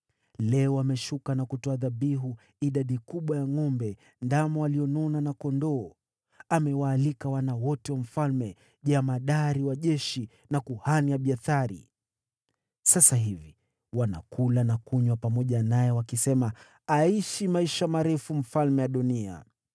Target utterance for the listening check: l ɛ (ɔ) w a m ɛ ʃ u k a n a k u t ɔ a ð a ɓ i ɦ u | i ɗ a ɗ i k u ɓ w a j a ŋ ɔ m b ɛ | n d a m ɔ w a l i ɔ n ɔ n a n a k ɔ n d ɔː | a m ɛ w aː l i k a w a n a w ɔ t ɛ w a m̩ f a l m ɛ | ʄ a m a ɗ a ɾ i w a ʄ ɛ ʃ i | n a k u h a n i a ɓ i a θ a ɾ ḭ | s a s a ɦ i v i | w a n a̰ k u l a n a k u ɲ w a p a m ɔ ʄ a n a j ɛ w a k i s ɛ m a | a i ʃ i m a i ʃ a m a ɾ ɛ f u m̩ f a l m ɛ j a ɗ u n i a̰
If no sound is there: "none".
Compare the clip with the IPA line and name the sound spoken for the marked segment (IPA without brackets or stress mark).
ɔ